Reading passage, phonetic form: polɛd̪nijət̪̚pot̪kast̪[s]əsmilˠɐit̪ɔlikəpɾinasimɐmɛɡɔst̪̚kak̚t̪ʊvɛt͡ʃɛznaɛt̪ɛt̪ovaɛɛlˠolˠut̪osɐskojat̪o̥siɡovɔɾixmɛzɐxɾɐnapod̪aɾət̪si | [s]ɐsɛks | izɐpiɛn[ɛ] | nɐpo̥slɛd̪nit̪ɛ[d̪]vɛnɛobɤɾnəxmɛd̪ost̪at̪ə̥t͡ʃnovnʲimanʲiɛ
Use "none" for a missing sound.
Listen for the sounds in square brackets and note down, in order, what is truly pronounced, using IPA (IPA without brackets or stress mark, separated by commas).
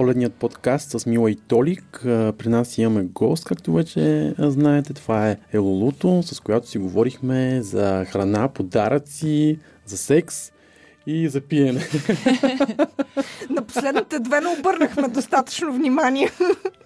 s, z, ɛ, d̪